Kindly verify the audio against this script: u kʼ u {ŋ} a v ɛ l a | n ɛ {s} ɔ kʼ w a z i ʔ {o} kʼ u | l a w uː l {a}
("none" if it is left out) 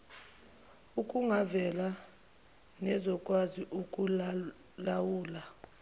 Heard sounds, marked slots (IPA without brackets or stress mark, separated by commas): ŋ, z, u, a